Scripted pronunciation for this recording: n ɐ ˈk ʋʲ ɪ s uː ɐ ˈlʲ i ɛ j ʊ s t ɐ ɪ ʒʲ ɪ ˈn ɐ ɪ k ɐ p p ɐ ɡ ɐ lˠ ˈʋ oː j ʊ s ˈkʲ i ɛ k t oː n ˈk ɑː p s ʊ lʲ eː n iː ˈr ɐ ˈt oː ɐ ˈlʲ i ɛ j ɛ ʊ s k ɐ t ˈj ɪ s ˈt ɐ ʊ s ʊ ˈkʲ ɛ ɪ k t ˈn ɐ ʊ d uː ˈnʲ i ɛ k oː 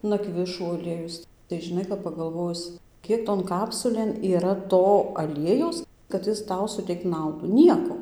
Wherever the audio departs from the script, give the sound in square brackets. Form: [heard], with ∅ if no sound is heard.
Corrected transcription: n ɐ ˈk ʋʲ ɪ [ʃ] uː ɐ ˈlʲ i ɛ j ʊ s t ɐ ɪ ʒʲ ɪ ˈn ɐ ɪ k ɐ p p ɐ ɡ ɐ lˠ ˈʋ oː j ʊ s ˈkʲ i ɛ k t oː n ˈk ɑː p s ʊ lʲ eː n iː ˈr ɐ ˈt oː ɐ ˈlʲ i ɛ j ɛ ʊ s k ɐ t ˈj ɪ s ˈt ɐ ʊ s ʊ [ˈtʲ] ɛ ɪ k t ˈn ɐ ʊ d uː ˈnʲ i ɛ k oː